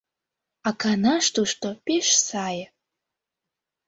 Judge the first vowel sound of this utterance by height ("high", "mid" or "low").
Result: low